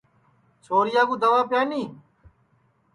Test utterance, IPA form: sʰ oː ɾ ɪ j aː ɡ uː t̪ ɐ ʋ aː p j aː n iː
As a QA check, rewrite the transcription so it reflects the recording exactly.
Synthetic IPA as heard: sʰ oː ɾ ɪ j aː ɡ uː d̪ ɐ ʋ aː p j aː n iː